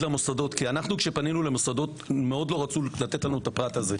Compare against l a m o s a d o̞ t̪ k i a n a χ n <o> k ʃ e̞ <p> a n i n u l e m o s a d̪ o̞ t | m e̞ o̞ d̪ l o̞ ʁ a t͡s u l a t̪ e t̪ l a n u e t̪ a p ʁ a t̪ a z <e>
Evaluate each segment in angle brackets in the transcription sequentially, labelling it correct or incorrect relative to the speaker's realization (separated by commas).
incorrect, correct, correct